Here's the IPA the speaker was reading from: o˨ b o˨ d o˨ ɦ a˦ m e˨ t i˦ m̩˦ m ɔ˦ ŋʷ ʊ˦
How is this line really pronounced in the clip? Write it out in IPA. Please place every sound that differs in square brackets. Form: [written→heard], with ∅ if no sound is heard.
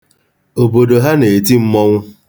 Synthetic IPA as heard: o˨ b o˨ d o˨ ɦ a˦ [m→n] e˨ t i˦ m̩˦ m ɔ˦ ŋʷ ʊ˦